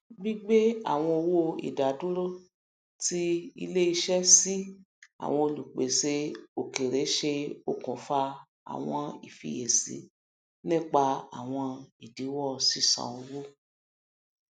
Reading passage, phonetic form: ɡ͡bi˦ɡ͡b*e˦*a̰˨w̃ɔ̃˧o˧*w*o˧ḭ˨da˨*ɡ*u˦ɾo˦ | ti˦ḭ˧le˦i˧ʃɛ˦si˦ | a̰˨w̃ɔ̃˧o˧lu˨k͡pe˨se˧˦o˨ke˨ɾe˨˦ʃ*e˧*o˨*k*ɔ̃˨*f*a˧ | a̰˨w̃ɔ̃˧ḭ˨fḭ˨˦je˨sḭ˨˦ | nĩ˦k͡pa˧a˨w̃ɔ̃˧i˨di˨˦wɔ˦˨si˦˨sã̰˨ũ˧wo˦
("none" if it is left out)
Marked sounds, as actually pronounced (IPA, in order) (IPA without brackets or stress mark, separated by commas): e˦, w, d, e˧, k, f